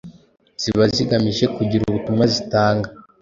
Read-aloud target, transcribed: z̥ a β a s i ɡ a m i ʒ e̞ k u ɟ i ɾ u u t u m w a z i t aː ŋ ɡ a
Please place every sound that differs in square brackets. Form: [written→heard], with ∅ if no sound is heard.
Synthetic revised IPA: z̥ [a→i] β a [s→z] i ɡ a m i ʒ e̞ k u ɟ i ɾ u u t u m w a z i t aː ŋ ɡ a